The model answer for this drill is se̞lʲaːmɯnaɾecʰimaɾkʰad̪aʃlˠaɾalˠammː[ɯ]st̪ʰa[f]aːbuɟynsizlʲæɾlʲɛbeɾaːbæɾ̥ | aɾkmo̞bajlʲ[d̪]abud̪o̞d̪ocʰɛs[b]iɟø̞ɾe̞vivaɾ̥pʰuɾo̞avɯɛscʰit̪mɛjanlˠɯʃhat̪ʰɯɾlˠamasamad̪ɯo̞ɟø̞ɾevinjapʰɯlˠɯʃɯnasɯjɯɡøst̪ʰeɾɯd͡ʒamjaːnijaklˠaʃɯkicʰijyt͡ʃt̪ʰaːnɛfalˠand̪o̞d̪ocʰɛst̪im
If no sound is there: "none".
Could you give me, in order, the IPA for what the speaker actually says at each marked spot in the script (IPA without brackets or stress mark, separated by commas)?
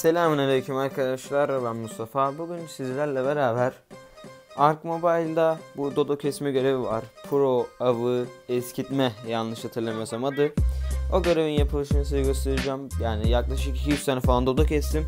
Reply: u, f, d̪, m